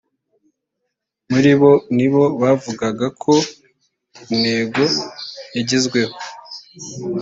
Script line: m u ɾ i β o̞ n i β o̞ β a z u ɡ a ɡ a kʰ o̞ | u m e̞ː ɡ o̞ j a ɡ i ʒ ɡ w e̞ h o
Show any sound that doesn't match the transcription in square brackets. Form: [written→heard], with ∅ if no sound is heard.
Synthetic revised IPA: m u ɾ i β o̞ n i β o̞ β a [z→v] u ɡ a ɡ a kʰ o̞ | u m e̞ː ɡ o̞ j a [ɡ→ɟ] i [ʒ→z] ɡ w e̞ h o